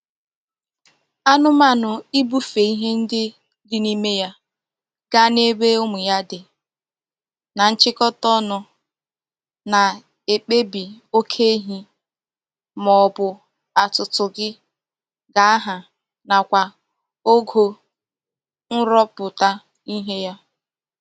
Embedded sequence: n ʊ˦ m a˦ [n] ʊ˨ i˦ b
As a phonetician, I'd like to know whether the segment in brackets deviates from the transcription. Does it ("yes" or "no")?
no